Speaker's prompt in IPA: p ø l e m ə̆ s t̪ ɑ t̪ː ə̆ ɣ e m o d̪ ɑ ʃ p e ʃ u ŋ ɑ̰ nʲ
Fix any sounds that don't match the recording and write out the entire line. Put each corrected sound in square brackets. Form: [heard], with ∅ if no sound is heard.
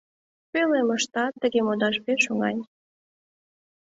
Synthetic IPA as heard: p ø l e m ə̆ [ʃ] t̪ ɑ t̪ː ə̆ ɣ e m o d̪ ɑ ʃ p e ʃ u ŋ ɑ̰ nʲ